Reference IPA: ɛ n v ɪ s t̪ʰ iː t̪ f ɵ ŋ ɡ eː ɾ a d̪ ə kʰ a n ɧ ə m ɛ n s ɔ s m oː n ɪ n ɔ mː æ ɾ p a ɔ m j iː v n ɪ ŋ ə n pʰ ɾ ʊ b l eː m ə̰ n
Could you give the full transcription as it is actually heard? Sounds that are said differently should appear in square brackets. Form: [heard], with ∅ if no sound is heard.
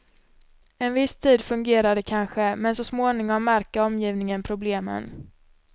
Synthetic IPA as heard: ɛ n v ɪ s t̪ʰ iː [d̪] f ɵ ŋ ɡ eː ɾ a d̪ ə kʰ a n ɧ ə m ɛ n s ɔ s m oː n ɪ [ŋ] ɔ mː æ ɾ [k] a ɔ m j iː v n ɪ ŋ ə n pʰ ɾ ʊ b l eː m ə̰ n